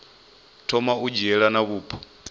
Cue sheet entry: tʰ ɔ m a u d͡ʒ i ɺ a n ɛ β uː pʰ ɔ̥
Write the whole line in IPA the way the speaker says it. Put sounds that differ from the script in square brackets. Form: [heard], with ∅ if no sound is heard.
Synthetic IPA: tʰ ɔ m a u d͡ʒ [ɛ] ɺ a n [a] β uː pʰ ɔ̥